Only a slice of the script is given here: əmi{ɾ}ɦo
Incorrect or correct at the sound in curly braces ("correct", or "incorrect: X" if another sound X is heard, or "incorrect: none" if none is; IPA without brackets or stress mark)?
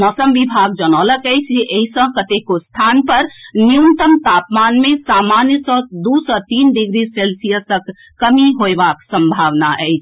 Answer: incorrect: none